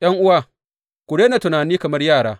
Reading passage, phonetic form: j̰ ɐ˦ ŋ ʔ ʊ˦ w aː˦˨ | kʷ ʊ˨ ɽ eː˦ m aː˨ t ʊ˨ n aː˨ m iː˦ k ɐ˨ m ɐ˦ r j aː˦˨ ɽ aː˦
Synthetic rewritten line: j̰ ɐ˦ ŋ ʔ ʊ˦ w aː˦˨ | kʷ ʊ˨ ɽ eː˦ n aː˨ t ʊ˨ n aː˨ n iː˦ k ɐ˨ m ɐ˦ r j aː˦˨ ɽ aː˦